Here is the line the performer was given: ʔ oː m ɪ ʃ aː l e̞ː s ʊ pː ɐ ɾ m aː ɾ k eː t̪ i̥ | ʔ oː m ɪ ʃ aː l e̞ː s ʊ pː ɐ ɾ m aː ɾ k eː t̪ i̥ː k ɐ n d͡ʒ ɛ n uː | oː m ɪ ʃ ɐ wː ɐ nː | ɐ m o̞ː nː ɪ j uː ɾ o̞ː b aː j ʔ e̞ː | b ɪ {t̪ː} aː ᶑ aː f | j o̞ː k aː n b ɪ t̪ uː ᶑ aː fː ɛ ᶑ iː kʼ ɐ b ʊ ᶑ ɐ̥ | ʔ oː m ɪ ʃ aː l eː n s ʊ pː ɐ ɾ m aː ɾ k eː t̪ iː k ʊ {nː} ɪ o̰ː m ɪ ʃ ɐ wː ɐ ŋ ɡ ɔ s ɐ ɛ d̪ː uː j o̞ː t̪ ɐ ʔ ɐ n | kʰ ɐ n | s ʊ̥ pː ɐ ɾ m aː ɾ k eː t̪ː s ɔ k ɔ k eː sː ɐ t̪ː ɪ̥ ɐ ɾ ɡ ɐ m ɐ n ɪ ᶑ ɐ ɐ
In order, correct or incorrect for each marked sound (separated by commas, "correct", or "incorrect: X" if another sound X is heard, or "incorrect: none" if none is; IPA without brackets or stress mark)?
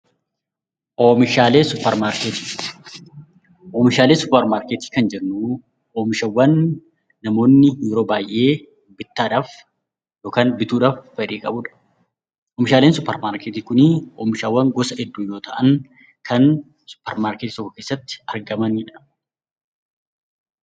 correct, incorrect: n